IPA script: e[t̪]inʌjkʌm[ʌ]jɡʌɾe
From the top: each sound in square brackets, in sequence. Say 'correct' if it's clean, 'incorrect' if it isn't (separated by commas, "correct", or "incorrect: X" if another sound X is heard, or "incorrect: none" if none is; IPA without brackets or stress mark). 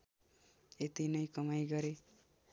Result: correct, incorrect: a